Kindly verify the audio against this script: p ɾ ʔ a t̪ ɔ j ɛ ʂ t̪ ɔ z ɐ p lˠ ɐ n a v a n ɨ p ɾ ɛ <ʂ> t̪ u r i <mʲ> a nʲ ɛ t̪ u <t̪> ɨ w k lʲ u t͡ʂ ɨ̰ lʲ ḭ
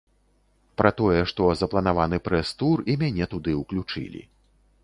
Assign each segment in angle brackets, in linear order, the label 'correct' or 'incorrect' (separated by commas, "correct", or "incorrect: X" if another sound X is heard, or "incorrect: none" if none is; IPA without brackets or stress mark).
incorrect: s, correct, incorrect: d̪